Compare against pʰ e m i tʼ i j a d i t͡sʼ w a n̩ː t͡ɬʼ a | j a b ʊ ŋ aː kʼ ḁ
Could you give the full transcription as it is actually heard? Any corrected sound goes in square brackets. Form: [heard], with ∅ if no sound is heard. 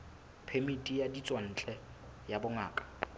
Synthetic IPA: pʰ e m i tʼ i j a d i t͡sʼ w a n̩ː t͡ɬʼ [ɛ] | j a b ʊ ŋ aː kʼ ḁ

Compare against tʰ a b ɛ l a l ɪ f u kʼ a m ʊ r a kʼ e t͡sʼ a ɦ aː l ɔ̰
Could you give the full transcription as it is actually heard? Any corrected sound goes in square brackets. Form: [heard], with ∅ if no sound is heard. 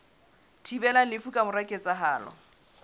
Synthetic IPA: tʰ [i] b ɛ l a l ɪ f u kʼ a m ʊ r a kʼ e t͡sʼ a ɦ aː l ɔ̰

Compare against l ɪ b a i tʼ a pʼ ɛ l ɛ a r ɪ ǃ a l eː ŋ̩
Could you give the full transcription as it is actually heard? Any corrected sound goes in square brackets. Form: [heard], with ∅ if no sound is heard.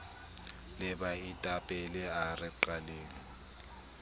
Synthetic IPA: l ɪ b a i tʼ a pʼ ɛ l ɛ a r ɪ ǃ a l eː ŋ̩

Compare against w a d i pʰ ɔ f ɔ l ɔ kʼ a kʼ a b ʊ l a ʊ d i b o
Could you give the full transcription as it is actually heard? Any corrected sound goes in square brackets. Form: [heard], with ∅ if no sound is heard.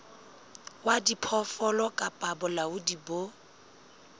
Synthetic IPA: w a d i pʰ ɔ f ɔ l ɔ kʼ a [pʼ] a b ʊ l a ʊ d i b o

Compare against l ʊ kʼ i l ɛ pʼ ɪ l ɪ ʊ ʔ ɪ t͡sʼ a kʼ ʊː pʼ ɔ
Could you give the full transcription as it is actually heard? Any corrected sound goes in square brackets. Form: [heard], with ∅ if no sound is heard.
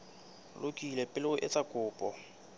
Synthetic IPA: l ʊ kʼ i l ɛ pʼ ɪ l ɪ ʊ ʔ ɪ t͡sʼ a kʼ ʊː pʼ ɔ

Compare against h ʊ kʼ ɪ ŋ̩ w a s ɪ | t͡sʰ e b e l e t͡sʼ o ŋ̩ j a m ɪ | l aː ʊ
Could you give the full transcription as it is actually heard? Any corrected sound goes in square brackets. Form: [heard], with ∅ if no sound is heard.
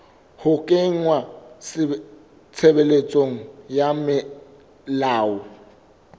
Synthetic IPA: h ʊ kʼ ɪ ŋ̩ w a s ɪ | t͡sʰ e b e l e t͡sʼ o ŋ̩ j a m ɪ | l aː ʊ

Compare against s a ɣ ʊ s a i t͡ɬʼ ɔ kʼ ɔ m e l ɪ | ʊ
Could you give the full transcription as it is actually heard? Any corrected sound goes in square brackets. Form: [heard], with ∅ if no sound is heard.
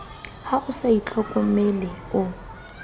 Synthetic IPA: [h] a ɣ ʊ s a i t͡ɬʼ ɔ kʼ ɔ m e l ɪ | ʊ

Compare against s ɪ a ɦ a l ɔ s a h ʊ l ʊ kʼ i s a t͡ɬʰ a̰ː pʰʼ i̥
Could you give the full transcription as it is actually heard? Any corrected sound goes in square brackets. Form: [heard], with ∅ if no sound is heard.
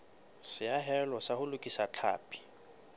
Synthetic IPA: s ɪ a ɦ [ɛ] l ɔ s a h ʊ l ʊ kʼ i s a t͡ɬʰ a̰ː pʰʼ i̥

